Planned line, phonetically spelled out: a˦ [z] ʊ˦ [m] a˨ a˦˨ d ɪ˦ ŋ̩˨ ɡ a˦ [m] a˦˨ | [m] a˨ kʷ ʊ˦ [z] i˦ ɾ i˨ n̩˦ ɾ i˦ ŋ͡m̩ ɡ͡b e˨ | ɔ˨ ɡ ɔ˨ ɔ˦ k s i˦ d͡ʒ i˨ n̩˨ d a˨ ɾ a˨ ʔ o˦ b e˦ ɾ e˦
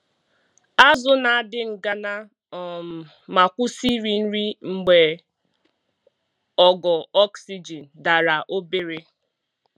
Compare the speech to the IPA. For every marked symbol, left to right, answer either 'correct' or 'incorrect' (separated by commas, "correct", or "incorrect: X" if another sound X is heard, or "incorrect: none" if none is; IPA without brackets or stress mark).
correct, incorrect: n, incorrect: n, correct, incorrect: s